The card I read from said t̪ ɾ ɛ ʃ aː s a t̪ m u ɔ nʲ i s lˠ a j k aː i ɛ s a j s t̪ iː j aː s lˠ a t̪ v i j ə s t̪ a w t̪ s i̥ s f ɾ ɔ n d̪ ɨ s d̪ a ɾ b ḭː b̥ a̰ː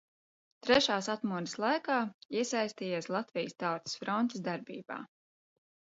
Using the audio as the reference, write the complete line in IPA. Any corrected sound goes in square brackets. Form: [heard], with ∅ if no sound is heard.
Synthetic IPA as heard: t̪ ɾ ɛ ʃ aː s a t̪ m u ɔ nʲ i s lˠ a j k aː i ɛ s a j s t̪ iː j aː s lˠ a t̪ v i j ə s t̪ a w t̪ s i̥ s f ɾ ɔ n [t̪] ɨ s d̪ a ɾ b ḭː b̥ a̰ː